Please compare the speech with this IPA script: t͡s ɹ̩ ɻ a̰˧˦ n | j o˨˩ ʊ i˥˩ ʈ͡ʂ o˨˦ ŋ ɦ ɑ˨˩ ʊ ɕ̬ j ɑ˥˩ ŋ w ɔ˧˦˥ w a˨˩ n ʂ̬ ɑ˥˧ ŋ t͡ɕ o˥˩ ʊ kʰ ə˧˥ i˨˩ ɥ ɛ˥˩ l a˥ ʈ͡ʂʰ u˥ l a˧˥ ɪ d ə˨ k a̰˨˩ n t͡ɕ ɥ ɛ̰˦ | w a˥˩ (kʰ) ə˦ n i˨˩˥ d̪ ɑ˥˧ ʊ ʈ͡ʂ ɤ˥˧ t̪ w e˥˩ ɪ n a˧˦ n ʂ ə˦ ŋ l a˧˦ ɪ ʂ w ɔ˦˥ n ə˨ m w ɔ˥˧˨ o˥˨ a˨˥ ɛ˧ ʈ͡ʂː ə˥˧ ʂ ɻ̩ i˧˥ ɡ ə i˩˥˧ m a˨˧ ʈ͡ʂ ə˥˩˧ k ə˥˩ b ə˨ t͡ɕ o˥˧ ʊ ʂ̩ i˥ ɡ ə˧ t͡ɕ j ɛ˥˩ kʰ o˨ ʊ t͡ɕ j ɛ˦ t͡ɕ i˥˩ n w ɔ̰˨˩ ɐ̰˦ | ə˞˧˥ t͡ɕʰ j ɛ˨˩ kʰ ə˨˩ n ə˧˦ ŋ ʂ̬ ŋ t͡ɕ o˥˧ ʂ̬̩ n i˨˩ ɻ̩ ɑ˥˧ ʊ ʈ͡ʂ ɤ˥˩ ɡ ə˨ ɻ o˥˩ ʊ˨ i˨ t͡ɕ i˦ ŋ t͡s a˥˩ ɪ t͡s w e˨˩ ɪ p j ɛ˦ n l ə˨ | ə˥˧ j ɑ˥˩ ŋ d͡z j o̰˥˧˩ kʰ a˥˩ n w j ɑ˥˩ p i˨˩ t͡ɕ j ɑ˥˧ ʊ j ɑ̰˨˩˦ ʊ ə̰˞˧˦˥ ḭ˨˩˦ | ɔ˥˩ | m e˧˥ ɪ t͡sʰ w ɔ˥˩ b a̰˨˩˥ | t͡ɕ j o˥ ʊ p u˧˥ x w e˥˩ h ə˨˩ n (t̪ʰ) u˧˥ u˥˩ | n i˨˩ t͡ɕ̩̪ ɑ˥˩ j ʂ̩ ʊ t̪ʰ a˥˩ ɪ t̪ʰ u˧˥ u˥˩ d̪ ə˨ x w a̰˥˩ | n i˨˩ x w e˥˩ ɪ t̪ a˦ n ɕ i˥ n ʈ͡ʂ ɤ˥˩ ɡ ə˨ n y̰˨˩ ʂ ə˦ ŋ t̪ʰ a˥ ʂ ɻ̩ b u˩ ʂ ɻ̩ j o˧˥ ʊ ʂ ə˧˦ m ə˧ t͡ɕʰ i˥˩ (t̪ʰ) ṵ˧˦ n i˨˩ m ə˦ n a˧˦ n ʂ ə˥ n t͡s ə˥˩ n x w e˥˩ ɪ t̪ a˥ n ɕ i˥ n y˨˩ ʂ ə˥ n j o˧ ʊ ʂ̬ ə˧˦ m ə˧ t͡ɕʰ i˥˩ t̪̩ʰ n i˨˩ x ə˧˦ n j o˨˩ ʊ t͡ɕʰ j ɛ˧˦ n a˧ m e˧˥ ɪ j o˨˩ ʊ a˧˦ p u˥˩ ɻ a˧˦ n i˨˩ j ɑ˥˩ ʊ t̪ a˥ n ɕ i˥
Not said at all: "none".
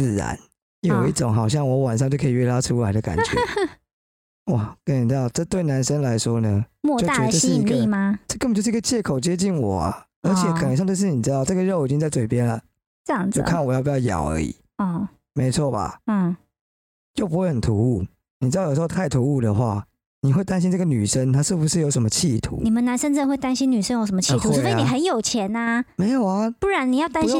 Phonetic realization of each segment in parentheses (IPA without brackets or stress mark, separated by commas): k, t̪ʰ, t̪ʰ